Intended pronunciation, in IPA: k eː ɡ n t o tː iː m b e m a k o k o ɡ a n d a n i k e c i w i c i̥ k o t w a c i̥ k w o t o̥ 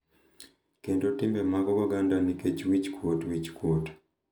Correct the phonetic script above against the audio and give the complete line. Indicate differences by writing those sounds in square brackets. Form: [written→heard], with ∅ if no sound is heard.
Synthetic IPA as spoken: k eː [ɡ→∅] n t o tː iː m b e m a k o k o ɡ a n d a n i k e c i w i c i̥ k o t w [a→i] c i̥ k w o t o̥

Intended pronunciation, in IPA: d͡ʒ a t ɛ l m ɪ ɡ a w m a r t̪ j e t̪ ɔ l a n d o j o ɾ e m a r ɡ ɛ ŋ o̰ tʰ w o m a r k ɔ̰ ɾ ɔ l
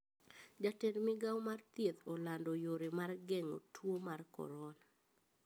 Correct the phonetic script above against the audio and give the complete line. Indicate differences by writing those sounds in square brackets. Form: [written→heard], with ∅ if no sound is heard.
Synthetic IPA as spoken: d͡ʒ a t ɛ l m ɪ ɡ a w m a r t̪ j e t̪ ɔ l a n d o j o ɾ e m a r ɡ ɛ ŋ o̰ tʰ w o m a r k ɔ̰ ɾ ɔ l

